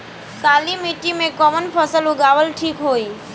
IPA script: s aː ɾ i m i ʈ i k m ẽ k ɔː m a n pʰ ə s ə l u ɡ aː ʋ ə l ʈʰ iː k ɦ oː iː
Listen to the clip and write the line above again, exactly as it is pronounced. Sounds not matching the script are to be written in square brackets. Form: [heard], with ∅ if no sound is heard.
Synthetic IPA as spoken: s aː [l] i m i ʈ i [∅] m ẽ k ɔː m [ə] n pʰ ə s ə l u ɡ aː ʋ ə l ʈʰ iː k ɦ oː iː

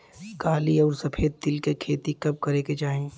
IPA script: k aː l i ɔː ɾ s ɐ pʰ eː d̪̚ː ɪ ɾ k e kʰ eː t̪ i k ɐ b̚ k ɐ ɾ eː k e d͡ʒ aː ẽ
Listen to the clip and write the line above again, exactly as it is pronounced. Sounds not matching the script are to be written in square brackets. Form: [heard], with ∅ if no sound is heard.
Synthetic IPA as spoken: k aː l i ɔː ɾ s ɐ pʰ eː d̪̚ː ɪ [l] k e kʰ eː t̪ i k ɐ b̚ k ɐ ɾ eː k e d͡ʒ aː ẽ

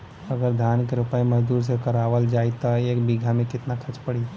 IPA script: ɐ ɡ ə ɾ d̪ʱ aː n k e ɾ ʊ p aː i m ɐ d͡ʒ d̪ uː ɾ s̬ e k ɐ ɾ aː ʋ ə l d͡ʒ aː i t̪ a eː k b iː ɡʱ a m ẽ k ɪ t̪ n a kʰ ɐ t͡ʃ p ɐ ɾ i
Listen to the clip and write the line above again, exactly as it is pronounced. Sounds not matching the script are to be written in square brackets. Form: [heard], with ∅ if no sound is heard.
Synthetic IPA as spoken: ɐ ɡ ə ɾ d̪ʱ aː n k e ɾ ʊ p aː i m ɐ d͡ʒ d̪ uː ɾ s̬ e k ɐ ɾ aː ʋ ə l d͡ʒ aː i t̪ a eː k b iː ɡʱ a m ẽ k ɪ t̪ n a kʰ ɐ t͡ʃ p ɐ [ɽ] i

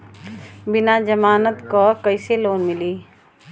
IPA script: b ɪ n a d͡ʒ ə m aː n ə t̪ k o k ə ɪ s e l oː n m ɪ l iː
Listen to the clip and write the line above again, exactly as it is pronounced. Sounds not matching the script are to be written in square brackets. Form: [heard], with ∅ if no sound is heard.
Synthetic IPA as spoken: b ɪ n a d͡ʒ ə m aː n ə t̪ k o k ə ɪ s e l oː n m ɪ l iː

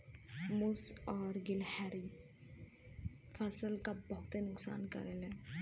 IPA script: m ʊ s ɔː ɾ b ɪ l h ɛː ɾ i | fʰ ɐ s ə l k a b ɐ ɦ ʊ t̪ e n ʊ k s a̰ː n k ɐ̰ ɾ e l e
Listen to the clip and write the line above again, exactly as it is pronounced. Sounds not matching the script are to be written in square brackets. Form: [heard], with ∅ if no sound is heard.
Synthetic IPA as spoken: m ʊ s ɔː ɾ [ɡ] ɪ l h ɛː ɾ i | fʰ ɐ s ə l k a b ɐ ɦ ʊ t̪ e n ʊ k s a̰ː n k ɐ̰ ɾ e l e

